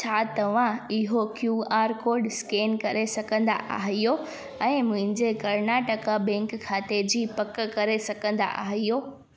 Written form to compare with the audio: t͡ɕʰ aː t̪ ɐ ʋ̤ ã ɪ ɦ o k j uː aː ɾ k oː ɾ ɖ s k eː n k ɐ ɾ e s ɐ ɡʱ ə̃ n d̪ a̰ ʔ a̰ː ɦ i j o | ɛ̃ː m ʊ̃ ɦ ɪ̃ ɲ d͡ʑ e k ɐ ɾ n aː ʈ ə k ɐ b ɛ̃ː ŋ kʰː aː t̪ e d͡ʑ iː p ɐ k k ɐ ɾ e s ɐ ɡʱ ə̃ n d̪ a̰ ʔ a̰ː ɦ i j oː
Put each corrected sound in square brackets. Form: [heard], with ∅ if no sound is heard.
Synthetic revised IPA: t͡ɕʰ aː t̪ ɐ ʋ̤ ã ɪ ɦ o k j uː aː ɾ k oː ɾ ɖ s k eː n k ɐ ɾ e s ɐ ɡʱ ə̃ n d̪ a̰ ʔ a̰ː ɦ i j o | ɛ̃ː m ʊ̃ ɦ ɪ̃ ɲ d͡ʑ e k ɐ ɾ n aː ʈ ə k [a] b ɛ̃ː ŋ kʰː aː t̪ e d͡ʑ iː p ɐ k k ɐ ɾ e s ɐ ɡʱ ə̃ n d̪ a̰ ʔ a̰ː ɦ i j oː